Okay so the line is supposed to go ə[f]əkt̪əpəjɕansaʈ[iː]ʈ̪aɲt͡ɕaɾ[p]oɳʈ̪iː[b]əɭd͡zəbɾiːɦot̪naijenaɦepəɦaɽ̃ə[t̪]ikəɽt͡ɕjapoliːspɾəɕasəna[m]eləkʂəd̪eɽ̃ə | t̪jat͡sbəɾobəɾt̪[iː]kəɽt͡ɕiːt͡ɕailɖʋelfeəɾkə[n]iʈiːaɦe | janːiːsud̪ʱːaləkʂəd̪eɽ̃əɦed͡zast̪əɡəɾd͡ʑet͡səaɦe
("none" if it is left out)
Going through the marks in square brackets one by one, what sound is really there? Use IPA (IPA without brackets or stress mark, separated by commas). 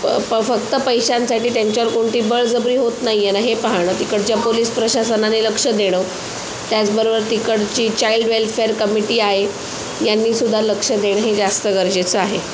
f, iː, k, b, t̪, n, i, m